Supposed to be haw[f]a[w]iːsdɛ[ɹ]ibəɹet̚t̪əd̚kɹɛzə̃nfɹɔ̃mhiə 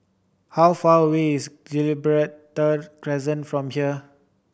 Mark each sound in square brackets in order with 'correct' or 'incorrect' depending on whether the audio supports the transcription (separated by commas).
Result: correct, correct, incorrect